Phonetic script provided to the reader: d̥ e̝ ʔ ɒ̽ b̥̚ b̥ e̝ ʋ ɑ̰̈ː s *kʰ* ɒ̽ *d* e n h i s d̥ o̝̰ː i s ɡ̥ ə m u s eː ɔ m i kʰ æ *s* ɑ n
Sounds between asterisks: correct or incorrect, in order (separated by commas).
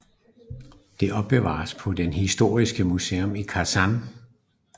incorrect, correct, correct